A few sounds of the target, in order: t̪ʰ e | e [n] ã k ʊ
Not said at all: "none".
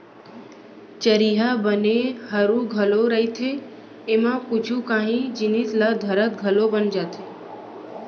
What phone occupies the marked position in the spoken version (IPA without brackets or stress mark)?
m